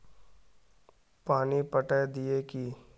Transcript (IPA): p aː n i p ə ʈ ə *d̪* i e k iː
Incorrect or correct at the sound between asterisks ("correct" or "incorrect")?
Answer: correct